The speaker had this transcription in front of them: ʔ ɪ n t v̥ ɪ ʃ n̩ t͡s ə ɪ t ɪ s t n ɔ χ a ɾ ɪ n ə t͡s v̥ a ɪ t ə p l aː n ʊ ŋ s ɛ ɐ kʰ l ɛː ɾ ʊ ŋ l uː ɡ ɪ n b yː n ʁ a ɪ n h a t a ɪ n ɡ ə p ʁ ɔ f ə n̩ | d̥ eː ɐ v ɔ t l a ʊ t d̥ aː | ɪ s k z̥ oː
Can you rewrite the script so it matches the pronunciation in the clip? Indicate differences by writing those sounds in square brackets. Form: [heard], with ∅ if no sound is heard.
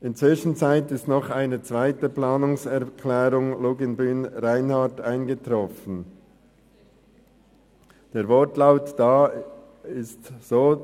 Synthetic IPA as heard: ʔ ɪ n [t͡s] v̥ ɪ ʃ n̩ t͡s [a] ɪ t ɪ s t n ɔ χ a [∅] ɪ n ə t͡s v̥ a ɪ t ə p l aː n ʊ ŋ s ɛ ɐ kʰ l ɛː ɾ ʊ ŋ l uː ɡ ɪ n b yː n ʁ a ɪ n h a t a ɪ n ɡ ə [t] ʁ ɔ f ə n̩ | d̥ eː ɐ v ɔ t l a ʊ t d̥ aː | ɪ s [t] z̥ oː